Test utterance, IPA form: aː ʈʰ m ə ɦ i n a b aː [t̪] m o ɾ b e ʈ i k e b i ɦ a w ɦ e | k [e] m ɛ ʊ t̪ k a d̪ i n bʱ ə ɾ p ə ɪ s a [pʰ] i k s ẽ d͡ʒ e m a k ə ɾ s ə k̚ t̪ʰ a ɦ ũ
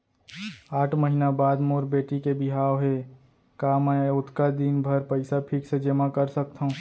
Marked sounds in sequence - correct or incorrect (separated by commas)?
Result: incorrect, incorrect, correct